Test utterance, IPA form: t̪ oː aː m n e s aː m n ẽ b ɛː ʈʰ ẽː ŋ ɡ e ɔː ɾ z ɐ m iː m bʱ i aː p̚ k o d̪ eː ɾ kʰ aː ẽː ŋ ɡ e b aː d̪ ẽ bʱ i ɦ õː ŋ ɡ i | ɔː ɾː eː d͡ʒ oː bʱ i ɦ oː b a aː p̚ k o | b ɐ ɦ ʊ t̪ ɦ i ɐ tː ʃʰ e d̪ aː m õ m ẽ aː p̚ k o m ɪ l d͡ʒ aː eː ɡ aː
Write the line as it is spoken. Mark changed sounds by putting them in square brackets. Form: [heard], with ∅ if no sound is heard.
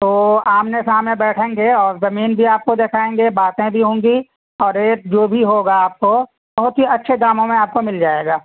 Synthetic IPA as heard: t̪ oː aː m n e s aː m n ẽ b ɛː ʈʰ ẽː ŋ ɡ e ɔː ɾ z ɐ m iː [n] bʱ i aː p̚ k o d̪ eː [∅] kʰ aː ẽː ŋ ɡ e b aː [t̪] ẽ bʱ i ɦ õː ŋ ɡ i | ɔː [ɾ] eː d͡ʒ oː bʱ i ɦ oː [ɡ] a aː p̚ k o | b ɐ ɦ ʊ t̪ ɦ i ɐ tː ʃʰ e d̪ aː m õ m ẽ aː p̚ k o m ɪ l d͡ʒ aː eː ɡ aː